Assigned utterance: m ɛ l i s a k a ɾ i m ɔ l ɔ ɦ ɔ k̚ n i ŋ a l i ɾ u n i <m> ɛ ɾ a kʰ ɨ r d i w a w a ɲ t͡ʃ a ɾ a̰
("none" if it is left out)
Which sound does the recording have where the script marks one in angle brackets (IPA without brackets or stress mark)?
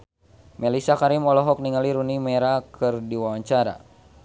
m